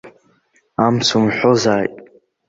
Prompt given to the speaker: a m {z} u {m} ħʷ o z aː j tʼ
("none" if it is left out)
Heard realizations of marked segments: s, m

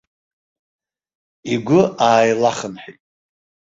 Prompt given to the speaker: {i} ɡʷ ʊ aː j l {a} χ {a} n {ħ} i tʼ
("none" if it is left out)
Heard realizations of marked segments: i, a, ə, ħ

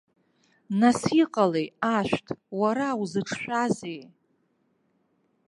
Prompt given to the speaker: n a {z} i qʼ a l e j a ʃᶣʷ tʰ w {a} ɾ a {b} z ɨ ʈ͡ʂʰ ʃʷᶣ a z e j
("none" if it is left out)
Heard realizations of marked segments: s, a, w

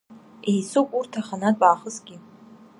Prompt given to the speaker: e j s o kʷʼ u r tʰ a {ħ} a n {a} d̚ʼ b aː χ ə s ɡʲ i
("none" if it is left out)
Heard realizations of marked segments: χ, a

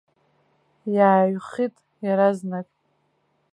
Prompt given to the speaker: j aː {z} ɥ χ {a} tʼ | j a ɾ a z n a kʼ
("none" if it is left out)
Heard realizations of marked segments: none, i

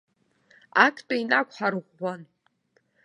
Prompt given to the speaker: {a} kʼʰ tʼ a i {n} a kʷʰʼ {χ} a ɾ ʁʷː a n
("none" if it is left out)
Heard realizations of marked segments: a, n, ħ

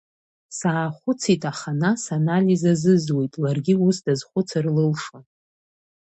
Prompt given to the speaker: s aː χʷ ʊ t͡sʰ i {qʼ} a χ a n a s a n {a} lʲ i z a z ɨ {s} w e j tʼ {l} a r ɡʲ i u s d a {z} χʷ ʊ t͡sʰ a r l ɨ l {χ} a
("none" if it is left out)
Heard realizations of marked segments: tʼ, a, z, l, z, ʂ

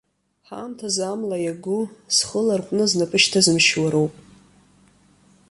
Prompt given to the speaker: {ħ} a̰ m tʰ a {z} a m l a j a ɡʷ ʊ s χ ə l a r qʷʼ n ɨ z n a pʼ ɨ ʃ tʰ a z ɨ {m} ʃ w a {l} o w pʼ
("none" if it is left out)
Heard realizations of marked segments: ħ, z, m, ɾ

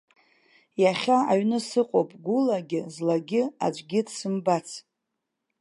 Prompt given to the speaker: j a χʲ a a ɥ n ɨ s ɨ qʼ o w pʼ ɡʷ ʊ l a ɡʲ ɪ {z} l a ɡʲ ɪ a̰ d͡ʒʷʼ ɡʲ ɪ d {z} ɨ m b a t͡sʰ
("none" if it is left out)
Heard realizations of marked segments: z, s

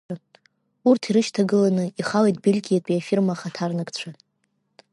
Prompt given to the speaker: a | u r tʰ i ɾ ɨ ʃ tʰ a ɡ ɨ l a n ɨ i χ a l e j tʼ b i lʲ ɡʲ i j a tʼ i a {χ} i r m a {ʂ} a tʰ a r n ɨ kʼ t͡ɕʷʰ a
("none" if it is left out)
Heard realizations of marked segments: f, χ

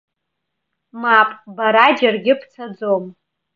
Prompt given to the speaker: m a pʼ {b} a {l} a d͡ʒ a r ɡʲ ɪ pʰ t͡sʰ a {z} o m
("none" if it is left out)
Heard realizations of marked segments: b, ɾ, d͡z

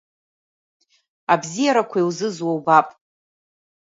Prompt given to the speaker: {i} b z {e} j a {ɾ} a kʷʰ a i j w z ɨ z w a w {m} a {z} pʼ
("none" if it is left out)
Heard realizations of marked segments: a, i, ɾ, b, none

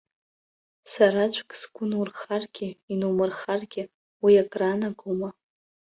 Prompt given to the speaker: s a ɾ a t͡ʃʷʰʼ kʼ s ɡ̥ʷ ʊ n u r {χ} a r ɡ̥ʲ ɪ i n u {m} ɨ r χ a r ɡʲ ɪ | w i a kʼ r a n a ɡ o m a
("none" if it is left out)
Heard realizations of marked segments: χ, m

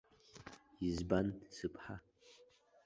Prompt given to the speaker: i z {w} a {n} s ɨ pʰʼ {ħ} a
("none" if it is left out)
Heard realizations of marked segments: b, n, ħ

